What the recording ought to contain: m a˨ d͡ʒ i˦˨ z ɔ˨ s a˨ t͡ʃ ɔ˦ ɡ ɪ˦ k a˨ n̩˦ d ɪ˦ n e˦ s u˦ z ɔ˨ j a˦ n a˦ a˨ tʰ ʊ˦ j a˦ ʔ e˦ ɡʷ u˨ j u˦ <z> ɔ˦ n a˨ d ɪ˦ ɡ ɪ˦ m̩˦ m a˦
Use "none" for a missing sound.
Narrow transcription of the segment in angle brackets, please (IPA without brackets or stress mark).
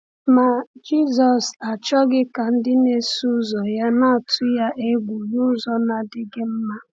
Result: z